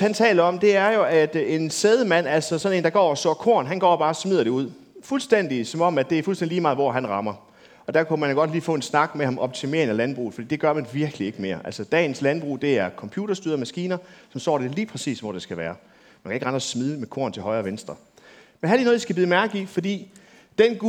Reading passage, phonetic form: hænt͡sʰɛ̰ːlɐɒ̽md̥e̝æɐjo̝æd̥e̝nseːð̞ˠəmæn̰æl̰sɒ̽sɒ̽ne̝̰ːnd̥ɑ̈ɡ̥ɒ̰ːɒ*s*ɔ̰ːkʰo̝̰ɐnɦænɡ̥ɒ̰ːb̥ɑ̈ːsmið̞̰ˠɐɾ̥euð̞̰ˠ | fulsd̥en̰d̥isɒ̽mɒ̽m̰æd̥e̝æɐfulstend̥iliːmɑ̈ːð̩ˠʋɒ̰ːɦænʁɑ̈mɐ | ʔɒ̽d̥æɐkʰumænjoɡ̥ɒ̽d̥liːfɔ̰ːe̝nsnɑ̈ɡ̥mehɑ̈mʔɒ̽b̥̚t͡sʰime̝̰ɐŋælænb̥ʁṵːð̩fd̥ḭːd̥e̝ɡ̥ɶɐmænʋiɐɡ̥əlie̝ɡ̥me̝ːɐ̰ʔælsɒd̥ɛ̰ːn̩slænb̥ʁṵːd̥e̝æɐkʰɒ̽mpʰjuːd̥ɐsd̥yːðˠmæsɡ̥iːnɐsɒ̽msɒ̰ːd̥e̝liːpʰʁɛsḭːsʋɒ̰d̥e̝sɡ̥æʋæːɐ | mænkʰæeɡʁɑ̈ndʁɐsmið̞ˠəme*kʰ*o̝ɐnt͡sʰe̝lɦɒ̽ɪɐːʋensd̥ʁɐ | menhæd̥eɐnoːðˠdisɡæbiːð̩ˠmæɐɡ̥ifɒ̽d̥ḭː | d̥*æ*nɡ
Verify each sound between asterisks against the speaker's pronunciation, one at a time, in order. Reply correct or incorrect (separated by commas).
correct, correct, incorrect